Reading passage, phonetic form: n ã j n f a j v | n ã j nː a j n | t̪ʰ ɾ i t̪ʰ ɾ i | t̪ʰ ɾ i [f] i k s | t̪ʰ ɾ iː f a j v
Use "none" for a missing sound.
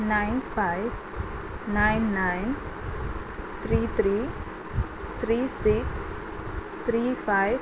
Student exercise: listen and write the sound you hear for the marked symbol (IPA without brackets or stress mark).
s